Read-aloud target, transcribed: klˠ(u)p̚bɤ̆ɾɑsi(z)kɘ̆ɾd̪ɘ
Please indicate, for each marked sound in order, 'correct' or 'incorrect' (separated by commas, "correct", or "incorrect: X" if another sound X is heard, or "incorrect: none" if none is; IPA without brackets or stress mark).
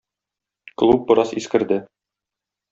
correct, incorrect: s